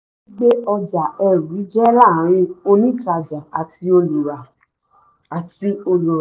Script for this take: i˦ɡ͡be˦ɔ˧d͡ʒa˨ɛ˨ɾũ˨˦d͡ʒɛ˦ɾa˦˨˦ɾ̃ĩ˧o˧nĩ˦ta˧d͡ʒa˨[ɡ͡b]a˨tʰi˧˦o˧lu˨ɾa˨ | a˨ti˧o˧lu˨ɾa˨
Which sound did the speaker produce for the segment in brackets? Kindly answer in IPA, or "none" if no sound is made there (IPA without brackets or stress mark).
none